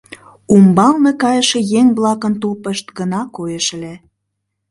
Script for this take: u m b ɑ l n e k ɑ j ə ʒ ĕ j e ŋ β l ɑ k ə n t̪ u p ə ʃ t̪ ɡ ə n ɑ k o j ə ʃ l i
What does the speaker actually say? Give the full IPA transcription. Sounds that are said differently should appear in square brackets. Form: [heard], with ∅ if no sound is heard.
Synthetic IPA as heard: u m b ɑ l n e k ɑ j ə [ʃ] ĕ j e ŋ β l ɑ k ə n t̪ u p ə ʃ t̪ ɡ ə n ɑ k o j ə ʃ l [e]

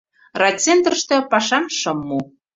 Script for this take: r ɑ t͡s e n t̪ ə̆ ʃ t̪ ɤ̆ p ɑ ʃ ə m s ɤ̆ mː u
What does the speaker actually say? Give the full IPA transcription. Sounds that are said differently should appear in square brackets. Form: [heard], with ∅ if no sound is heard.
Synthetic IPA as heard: r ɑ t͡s e n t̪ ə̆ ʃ t̪ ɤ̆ p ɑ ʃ [ɑ] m [ʃ] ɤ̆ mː u

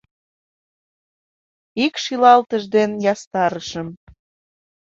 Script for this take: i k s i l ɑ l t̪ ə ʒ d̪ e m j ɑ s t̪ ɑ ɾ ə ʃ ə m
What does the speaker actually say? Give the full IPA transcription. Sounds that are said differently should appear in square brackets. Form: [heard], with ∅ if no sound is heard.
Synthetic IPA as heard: i k [ʃ] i l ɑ l t̪ ə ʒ d̪ e [n] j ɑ s t̪ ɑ ɾ ə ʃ ə m

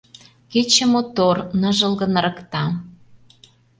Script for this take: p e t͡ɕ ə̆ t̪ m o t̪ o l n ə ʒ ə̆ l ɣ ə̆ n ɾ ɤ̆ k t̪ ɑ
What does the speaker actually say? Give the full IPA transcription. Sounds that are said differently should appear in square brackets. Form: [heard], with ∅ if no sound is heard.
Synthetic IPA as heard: [k] e t͡ɕ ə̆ [∅] m o t̪ o [r] n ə ʒ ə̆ l ɣ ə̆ n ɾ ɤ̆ k t̪ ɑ

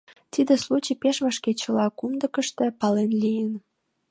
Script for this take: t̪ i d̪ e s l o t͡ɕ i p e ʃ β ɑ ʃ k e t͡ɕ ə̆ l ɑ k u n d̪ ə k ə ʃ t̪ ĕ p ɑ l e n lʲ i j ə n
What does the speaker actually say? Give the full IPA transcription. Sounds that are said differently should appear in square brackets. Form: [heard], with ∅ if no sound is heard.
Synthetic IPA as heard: t̪ i d̪ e s l [u] t͡ɕ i p e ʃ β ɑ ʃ k e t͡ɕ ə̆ l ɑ k u [m] d̪ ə k ə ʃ t̪ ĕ p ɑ l e n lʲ i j ə n

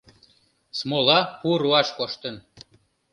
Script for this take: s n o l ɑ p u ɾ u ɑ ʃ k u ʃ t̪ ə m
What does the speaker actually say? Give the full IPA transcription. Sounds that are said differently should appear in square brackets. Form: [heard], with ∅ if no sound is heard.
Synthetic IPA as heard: s [m] o l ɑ p u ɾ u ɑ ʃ k [o] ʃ t̪ ə [n]

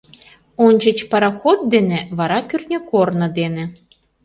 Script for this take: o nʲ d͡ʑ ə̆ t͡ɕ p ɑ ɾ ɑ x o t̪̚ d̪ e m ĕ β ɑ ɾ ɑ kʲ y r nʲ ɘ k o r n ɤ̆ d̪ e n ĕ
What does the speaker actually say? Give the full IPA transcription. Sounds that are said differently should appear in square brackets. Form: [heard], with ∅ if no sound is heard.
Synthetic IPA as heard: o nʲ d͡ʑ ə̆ t͡ɕ p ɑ ɾ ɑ x o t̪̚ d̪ e [n] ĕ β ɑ ɾ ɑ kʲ y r nʲ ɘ k o r n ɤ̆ d̪ e n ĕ

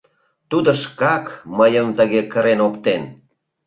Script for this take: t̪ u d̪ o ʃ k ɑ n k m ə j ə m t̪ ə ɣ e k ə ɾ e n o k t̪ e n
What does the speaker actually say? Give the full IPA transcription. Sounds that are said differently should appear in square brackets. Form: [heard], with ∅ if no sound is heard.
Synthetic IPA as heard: t̪ u d̪ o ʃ k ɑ [∅] k m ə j ə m t̪ ə ɣ e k ə ɾ e n o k t̪ e n

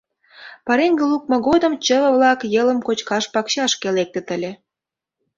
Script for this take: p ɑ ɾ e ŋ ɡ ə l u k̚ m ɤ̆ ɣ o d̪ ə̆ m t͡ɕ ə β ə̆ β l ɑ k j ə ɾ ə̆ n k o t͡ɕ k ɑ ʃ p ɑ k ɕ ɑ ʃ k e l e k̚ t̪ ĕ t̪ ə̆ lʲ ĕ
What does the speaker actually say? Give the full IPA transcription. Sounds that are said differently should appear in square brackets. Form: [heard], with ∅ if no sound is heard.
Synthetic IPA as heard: p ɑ ɾ e ŋ ɡ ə l u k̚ m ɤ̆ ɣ o d̪ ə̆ m t͡ɕ ə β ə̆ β l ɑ k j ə [l] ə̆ [m] k o t͡ɕ k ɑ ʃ p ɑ k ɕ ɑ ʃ k e l e k̚ t̪ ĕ t̪ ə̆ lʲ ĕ

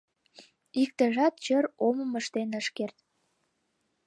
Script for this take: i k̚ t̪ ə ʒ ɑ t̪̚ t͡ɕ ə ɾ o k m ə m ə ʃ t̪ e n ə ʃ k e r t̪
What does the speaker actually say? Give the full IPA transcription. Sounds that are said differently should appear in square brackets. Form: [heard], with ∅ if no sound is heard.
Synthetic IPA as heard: i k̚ t̪ ə ʒ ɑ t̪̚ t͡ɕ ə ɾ o [∅] m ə m ə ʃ t̪ e n ə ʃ k e r t̪

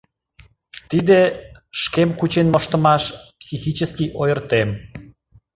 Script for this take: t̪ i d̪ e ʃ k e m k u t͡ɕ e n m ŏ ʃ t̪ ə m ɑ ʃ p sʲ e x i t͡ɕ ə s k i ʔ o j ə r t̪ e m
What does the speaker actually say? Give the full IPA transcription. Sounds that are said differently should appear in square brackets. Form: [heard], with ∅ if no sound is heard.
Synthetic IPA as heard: t̪ i d̪ e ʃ k e m k u t͡ɕ e n m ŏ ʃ t̪ ə m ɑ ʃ p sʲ [i] x i t͡ɕ ə s k i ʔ o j ə r t̪ e m

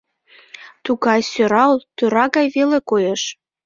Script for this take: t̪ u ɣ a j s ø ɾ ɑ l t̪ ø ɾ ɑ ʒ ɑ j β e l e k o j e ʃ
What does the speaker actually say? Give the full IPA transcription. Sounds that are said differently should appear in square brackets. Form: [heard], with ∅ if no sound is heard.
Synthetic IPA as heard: t̪ u ɣ [ɑ] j s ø ɾ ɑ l t̪ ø ɾ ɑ [ɣ] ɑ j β e l e k o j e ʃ

